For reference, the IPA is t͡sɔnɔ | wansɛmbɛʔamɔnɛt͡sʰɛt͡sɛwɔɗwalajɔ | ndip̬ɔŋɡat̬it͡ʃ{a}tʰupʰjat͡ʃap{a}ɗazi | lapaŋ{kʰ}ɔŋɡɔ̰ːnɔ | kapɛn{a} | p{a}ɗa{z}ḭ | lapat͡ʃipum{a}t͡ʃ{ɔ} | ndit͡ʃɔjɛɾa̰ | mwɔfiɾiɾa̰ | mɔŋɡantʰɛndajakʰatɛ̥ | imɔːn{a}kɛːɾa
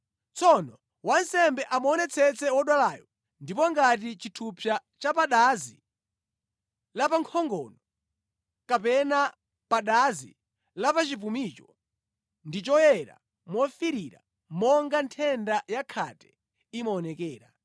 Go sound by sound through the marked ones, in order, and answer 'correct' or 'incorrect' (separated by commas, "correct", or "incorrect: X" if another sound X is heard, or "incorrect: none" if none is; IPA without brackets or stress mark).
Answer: incorrect: i, correct, correct, correct, correct, correct, incorrect: i, correct, incorrect: ɛ